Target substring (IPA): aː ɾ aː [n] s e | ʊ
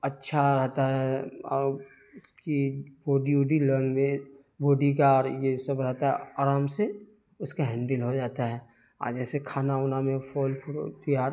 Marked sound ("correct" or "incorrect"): incorrect